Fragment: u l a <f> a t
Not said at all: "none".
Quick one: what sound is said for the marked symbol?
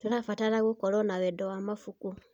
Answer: f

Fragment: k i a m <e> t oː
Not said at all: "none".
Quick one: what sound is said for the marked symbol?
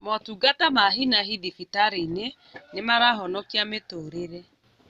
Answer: e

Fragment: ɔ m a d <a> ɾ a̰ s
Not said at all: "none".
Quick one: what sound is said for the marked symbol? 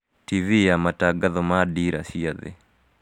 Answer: i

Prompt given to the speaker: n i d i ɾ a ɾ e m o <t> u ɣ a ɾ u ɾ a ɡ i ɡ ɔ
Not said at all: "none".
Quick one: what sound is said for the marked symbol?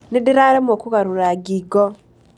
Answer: k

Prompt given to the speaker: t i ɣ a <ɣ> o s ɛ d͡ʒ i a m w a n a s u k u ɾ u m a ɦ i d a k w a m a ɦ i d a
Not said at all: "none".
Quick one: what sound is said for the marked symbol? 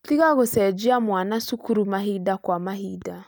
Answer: ɣ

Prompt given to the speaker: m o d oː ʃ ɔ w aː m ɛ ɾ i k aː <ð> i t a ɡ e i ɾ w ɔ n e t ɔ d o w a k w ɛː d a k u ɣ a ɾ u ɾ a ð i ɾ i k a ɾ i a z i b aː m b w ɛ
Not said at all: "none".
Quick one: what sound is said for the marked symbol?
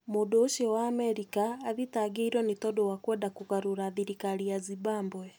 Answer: ð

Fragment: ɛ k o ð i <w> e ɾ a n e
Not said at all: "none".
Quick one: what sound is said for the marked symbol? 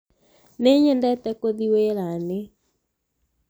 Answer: w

